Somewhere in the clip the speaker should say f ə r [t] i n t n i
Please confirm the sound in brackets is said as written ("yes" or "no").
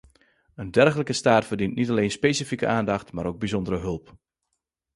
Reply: no